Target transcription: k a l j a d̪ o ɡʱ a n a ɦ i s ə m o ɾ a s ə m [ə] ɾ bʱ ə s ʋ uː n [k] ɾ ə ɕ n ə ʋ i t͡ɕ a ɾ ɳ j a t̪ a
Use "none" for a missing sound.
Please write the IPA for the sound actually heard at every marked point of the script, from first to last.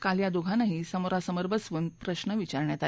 ə, p

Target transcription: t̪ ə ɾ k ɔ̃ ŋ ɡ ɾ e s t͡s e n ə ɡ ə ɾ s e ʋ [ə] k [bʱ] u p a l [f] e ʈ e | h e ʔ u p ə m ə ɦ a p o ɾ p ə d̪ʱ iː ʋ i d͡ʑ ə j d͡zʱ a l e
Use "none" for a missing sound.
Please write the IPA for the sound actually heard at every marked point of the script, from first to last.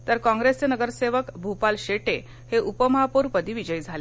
ə, bʱ, ɕ

